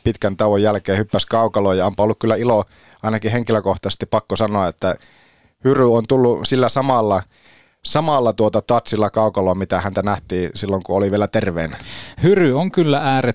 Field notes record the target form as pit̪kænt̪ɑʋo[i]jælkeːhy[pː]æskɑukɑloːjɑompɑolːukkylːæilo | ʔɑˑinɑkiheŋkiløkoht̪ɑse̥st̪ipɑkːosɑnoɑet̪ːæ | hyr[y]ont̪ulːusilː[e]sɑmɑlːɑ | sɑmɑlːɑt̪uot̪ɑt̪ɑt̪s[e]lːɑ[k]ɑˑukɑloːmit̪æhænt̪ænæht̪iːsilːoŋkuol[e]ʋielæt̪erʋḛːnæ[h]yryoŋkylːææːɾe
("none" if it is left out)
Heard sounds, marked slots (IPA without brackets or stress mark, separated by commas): j, pː, y, æ, i, k, i, h